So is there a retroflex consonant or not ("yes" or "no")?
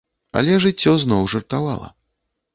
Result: yes